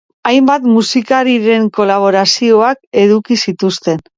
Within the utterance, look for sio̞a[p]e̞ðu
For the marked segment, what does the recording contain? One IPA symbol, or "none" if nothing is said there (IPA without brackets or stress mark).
k